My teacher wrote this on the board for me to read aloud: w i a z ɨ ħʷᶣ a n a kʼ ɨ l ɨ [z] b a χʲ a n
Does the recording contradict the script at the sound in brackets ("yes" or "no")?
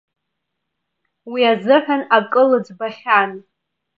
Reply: yes